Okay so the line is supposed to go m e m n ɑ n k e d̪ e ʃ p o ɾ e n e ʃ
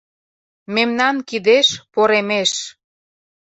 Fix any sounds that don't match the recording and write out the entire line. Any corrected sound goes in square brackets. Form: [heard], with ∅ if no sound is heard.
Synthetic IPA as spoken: m e m n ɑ n k [i] d̪ e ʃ p o ɾ e [m] e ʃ